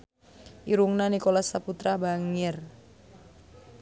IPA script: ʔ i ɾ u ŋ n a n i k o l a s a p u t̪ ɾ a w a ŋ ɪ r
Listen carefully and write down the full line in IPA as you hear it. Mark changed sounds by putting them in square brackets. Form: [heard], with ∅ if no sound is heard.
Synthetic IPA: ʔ i ɾ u ŋ n a n i k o l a s a p u t̪ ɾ a [b] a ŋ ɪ r